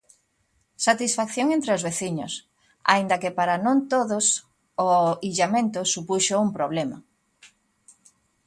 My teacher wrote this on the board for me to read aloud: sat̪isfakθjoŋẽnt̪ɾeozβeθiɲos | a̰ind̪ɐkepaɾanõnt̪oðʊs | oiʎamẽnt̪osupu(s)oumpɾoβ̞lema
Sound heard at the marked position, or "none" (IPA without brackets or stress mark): ʃ